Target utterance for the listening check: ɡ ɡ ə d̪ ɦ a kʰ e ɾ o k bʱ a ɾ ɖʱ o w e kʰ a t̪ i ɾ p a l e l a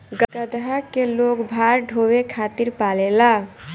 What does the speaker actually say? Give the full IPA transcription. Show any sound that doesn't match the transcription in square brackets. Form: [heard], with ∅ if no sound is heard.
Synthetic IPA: ɡ ɡ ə d̪ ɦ a [k] e [l] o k bʱ a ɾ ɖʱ o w e kʰ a t̪ i ɾ p a l e l a

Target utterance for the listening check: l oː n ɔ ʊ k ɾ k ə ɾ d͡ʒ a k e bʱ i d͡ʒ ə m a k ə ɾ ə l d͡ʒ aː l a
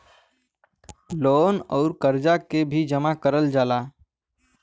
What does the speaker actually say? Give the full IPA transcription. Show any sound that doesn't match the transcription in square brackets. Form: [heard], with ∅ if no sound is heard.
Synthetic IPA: l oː n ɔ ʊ [∅] ɾ k ə ɾ d͡ʒ a k e bʱ i d͡ʒ ə m a k ə ɾ ə l d͡ʒ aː l a

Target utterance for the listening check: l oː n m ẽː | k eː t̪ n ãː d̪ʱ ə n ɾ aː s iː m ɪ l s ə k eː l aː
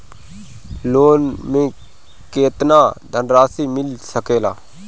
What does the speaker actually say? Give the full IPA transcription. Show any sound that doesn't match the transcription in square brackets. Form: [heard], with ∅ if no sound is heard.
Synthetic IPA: l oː n m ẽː | k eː t̪ n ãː d̪ʱ ə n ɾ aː s iː m ɪ l s ə k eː l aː

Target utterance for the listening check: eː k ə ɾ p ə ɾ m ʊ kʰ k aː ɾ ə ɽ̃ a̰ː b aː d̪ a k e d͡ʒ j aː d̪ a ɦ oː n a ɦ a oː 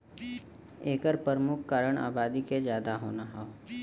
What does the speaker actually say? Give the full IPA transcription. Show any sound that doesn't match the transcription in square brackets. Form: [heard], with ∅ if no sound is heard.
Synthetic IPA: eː k ə ɾ p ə ɾ m ʊ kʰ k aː ɾ ə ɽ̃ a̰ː b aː d̪ [i] k e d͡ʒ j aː d̪ a ɦ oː n a ɦ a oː

